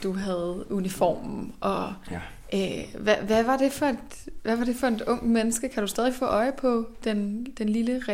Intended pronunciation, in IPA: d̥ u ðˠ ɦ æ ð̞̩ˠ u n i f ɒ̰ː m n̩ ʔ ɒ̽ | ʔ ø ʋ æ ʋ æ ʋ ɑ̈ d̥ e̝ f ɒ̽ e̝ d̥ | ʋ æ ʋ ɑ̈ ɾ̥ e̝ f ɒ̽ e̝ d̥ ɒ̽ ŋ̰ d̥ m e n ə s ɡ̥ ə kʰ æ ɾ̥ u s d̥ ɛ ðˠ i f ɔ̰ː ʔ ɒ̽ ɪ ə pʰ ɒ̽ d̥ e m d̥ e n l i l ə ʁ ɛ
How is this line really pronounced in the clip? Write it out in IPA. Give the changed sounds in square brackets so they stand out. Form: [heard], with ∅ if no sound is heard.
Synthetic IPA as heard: d̥ u [∅] ɦ æ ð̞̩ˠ u n i f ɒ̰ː m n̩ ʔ ɒ̽ | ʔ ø ʋ æ ʋ æ ʋ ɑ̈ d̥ e̝ f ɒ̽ e̝ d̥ | ʋ æ ʋ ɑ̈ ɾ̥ e̝ f ɒ̽ e̝ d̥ [ɔ̽] ŋ̰ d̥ m e n ə s ɡ̥ ə kʰ æ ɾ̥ u s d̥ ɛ ðˠ i f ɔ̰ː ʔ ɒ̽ ɪ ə pʰ ɒ̽ d̥ e [n] d̥ e n l i l ə ʁ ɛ